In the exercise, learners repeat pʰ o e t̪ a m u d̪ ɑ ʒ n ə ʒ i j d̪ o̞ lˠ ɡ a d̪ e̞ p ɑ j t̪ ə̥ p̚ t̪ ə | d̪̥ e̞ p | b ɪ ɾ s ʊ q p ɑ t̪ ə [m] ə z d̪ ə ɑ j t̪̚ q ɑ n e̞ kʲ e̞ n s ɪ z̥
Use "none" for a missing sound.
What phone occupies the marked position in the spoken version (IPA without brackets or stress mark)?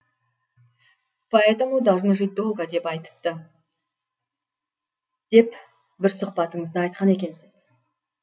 ɴ